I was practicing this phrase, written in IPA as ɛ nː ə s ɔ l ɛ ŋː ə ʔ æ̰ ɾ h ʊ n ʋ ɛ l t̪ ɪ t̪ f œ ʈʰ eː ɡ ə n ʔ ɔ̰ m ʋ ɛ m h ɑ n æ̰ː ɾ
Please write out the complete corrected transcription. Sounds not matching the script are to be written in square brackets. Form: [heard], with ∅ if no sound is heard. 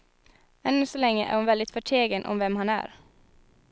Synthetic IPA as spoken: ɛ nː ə s ɔ l ɛ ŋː ə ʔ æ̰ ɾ h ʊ n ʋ ɛ l [d̪] ɪ t̪ f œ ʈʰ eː ɡ ə n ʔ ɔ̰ m ʋ ɛ m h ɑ n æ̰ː ɾ